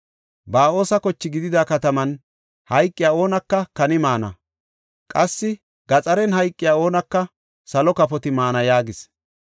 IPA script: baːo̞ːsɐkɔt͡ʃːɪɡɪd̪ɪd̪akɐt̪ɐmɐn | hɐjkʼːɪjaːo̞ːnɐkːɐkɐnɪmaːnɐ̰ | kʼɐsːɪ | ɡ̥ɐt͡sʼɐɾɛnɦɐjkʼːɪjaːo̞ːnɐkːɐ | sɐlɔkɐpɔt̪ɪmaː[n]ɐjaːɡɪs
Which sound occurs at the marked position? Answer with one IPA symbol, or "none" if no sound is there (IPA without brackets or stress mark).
n